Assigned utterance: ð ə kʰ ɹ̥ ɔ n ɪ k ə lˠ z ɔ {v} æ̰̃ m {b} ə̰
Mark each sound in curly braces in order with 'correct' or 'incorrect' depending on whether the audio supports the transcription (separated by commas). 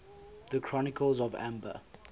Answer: correct, correct